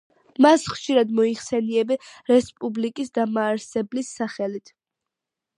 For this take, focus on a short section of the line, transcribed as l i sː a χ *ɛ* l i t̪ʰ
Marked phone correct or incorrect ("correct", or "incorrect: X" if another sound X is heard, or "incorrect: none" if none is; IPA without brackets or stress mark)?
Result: correct